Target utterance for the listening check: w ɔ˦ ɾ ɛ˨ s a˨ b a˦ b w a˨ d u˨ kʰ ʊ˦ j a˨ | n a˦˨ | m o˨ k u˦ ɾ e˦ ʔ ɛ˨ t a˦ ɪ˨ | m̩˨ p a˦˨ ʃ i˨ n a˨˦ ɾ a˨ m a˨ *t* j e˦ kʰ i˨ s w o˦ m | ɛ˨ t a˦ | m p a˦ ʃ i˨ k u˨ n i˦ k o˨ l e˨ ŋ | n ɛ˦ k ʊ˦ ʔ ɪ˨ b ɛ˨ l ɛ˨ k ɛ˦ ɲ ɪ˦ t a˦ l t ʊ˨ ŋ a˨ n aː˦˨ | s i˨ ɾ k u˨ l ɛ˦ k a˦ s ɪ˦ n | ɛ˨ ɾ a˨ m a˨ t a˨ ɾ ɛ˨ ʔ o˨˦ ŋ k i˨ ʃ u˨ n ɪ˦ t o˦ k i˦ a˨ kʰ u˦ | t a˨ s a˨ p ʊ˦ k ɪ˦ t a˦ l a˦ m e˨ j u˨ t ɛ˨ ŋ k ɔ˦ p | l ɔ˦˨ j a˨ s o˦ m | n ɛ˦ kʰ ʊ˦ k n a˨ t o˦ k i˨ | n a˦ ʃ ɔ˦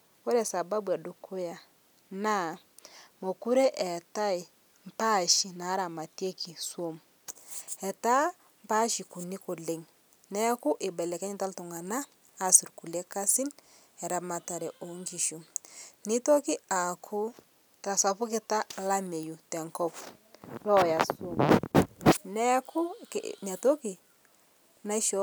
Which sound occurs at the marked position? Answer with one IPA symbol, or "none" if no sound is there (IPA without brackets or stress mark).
t